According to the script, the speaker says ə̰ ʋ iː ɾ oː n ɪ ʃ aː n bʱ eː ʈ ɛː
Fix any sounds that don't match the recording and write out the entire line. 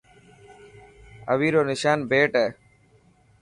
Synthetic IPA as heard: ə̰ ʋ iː ɾ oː n ɪ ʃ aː n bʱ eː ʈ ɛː